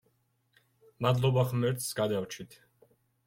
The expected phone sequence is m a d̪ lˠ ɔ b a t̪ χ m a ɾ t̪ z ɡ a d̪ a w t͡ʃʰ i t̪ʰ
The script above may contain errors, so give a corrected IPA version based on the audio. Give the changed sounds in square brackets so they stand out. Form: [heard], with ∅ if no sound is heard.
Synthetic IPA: m a d̪ lˠ ɔ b a [∅] χ m [ɛ] ɾ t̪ [s] ɡ a d̪ a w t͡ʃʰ i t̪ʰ